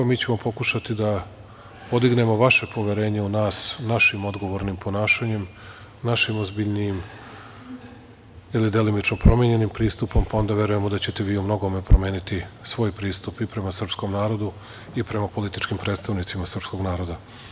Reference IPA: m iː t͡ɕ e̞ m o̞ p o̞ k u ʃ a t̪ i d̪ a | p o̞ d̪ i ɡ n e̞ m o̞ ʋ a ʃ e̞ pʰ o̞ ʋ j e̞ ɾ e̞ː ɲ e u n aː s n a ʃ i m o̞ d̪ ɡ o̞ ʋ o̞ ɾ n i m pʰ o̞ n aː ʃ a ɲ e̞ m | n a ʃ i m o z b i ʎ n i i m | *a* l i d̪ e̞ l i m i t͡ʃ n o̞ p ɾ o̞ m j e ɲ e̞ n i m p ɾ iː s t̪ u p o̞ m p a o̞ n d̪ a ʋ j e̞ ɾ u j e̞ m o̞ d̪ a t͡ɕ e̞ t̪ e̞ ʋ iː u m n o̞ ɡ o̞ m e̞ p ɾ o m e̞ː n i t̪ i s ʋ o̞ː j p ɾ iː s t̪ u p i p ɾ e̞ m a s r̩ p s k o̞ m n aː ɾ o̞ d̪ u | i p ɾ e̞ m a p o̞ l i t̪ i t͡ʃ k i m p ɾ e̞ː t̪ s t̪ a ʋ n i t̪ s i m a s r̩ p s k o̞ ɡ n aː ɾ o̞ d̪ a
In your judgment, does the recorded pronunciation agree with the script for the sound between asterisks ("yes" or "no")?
no